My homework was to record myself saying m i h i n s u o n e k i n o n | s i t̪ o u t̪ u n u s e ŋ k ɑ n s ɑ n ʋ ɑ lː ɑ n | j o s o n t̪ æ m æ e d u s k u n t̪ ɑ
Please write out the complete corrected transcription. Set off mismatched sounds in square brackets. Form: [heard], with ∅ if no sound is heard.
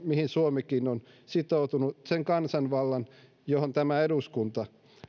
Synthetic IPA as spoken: m i h i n s u o [m] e k i n o n | s i t̪ o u t̪ u n u s e ŋ k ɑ n s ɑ n ʋ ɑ lː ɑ n | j o [h] o n t̪ æ m æ e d u s k u n t̪ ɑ